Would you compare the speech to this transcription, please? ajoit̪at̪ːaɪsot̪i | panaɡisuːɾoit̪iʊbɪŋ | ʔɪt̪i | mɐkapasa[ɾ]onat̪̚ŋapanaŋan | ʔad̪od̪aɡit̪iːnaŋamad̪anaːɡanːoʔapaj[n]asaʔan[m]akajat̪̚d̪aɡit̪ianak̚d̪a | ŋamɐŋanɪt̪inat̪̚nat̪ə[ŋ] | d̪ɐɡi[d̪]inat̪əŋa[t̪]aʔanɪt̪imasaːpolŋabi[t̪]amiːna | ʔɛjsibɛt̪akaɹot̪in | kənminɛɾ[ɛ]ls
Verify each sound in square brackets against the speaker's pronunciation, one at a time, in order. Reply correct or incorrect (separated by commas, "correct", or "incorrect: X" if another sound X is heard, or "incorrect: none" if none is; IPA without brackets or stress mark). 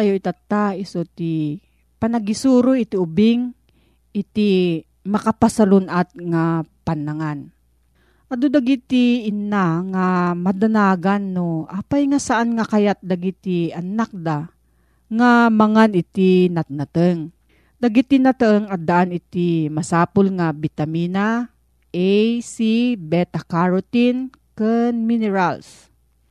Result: incorrect: l, incorrect: ŋ, incorrect: ŋ, correct, incorrect: t̪, incorrect: d̪, correct, incorrect: a